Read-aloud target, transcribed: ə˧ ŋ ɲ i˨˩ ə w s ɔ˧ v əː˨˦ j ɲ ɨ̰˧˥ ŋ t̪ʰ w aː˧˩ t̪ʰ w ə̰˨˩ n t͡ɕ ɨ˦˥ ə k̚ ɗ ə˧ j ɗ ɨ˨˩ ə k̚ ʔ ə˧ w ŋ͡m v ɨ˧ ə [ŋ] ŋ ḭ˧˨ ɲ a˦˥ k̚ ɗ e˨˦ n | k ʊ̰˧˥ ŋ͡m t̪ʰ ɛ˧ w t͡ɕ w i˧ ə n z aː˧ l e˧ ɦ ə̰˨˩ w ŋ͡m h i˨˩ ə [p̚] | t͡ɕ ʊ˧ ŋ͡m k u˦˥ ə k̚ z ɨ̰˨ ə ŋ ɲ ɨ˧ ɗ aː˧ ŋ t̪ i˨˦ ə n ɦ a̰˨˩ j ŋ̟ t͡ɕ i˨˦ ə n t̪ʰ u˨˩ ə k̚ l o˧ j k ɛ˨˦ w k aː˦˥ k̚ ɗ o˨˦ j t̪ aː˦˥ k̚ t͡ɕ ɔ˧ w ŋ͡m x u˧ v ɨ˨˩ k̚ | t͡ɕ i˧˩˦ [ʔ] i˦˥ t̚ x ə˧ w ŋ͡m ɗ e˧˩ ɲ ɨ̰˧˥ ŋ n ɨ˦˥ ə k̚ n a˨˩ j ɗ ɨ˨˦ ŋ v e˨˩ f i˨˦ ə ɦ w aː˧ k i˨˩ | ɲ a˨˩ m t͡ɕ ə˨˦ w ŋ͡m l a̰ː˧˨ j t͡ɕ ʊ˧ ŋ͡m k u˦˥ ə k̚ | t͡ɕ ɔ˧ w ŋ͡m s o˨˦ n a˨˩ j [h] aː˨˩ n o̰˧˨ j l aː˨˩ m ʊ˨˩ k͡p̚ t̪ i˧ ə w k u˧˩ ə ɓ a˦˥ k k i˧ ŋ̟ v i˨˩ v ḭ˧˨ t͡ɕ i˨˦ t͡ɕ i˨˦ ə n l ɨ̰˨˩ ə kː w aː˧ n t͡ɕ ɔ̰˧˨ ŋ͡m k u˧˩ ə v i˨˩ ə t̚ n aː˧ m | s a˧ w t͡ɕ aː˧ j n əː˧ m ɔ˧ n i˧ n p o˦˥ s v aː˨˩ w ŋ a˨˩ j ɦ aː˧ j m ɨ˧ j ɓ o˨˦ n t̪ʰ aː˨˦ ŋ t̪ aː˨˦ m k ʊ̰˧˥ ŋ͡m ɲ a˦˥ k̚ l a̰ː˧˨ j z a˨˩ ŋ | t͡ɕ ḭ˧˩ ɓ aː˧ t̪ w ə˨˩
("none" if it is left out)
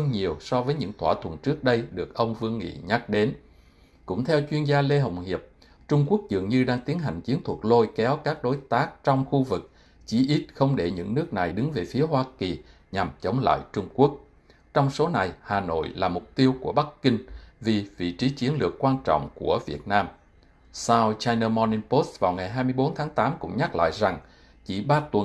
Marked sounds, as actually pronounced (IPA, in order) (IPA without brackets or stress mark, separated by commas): ŋ, p̚, ʔ, h